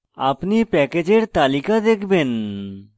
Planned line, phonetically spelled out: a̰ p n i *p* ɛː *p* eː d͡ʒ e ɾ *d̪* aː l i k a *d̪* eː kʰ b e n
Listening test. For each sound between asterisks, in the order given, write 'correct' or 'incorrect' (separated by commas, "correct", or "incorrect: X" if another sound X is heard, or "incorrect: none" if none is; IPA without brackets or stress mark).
correct, incorrect: k, incorrect: t̪, correct